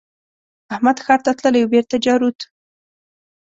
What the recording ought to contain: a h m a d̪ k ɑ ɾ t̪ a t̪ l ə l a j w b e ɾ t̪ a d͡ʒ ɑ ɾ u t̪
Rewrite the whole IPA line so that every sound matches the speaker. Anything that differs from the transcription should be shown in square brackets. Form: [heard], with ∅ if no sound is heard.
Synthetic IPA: a h m a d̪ [x] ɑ ɾ t̪ a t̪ l ə l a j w b e ɾ t̪ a d͡ʒ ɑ ɾ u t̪